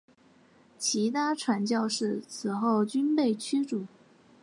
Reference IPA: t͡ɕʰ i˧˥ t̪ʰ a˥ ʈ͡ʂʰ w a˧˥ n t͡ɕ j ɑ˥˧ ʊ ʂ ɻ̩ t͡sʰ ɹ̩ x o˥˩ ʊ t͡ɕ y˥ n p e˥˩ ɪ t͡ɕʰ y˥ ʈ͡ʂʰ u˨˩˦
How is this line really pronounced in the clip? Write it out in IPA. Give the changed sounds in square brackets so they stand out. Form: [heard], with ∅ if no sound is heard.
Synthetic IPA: t͡ɕʰ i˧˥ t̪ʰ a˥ ʈ͡ʂʰ w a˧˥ n t͡ɕ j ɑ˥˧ ʊ ʂ ɻ̩ t͡sʰ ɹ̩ x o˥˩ ʊ t͡ɕ y˥ n p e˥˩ ɪ t͡ɕʰ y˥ [ʈ͡ʂ] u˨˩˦